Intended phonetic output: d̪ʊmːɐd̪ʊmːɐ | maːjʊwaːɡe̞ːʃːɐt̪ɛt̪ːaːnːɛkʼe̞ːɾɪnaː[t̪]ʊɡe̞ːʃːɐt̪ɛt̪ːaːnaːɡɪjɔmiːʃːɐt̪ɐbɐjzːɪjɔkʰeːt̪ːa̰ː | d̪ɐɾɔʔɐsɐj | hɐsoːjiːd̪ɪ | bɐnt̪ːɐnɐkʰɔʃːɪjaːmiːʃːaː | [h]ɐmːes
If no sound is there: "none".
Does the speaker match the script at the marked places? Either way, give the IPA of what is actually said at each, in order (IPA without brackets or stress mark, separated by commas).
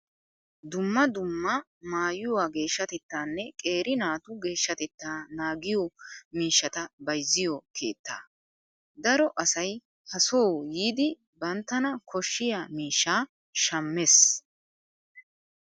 t̪, ʃ